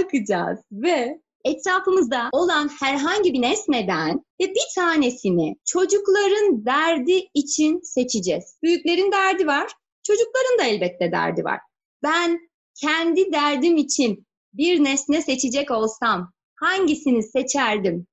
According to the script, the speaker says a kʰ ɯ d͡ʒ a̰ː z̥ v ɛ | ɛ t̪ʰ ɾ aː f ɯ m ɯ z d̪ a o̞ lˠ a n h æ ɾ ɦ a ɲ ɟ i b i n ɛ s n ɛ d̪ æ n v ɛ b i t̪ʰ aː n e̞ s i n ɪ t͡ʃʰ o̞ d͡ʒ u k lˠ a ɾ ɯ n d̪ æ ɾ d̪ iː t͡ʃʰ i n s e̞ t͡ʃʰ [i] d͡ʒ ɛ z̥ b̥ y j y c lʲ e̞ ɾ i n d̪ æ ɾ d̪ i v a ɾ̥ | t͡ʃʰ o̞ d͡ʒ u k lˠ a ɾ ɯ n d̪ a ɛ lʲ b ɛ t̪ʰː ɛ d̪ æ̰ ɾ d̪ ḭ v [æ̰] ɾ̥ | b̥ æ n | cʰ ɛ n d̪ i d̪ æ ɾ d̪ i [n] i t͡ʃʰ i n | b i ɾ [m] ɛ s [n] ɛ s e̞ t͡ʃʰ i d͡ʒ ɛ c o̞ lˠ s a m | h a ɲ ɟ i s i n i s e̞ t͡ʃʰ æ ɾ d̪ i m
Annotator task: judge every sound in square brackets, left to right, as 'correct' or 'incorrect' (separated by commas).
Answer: correct, incorrect, incorrect, incorrect, correct